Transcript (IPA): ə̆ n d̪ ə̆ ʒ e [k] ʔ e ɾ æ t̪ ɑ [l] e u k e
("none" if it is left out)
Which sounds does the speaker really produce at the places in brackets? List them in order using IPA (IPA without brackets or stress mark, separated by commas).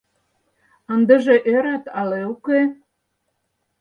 none, l